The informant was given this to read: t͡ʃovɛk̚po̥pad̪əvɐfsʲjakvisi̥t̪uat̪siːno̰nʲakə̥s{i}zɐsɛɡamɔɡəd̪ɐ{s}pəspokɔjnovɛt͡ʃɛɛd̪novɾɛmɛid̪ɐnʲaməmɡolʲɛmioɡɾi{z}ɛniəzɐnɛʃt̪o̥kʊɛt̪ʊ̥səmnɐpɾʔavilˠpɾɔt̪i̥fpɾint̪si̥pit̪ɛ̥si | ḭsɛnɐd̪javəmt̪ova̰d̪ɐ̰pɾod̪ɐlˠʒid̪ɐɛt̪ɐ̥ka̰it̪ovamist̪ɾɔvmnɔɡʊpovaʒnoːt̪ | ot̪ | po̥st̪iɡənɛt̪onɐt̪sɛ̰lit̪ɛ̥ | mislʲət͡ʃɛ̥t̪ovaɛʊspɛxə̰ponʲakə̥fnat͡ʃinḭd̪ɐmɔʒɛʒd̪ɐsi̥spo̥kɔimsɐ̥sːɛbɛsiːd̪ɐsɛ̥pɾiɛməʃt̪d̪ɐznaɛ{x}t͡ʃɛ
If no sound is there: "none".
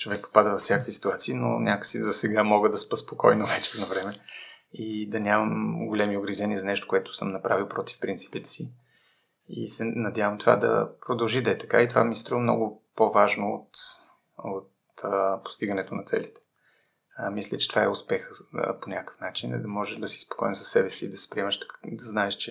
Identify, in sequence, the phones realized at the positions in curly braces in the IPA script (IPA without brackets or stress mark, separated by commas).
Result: i, s, z, ʃ